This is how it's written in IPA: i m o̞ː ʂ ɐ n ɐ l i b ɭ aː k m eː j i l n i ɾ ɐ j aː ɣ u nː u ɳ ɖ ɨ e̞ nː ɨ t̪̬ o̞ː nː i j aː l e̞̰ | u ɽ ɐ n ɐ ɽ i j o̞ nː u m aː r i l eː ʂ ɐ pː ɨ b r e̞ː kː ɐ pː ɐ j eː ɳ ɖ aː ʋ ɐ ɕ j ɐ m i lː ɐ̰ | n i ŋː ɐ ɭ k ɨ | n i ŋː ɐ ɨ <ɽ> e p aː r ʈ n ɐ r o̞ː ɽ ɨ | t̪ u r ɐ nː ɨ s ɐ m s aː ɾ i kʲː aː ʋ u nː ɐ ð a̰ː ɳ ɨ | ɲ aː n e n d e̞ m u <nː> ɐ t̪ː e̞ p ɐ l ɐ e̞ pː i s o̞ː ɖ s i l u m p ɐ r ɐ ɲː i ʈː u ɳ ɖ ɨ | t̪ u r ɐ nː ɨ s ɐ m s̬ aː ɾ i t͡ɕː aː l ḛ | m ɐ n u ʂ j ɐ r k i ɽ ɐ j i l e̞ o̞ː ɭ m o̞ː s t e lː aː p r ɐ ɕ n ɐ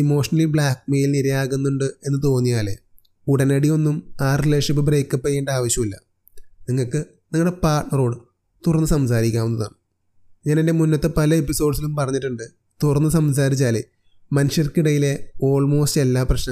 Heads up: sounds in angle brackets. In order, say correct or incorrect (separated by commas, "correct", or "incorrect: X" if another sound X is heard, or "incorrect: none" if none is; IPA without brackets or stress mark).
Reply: correct, correct